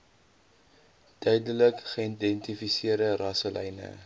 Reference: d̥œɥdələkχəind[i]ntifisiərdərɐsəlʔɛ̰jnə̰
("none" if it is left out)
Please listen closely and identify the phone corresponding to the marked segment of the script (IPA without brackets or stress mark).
ɛ